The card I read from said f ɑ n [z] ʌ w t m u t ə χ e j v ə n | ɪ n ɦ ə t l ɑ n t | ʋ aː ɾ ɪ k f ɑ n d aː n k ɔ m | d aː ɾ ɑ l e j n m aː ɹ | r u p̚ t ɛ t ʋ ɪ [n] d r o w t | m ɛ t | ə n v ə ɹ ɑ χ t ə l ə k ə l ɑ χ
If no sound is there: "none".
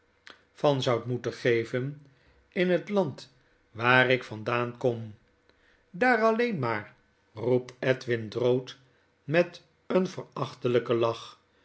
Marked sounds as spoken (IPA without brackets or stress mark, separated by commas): z, n